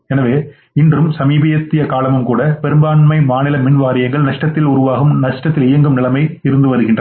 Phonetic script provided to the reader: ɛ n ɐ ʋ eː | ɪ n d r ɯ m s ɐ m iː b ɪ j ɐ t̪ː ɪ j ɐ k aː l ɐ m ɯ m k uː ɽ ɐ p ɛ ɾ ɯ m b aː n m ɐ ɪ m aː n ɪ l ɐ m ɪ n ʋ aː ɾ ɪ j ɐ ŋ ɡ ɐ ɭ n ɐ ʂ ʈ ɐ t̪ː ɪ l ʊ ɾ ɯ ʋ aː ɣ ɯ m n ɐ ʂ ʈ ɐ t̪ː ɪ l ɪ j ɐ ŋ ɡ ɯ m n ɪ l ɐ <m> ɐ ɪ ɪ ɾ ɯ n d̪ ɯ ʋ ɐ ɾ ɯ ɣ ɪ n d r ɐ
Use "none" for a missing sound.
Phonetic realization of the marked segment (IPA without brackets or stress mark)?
m